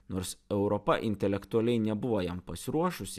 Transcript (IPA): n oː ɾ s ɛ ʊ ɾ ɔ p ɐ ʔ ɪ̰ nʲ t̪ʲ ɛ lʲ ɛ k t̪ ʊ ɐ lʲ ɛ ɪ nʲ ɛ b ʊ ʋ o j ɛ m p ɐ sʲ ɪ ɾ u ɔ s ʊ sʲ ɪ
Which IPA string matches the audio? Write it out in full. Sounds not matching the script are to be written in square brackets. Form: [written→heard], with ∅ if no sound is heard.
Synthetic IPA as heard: n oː ɾ s ɛ ʊ ɾ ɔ p ɐ ʔ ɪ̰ nʲ t̪ʲ ɛ lʲ ɛ k t̪ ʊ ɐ lʲ ɛ ɪ nʲ ɛ b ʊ ʋ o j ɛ m p ɐ sʲ ɪ ɾ u ɔ [s→ʃ] ʊ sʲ ɪ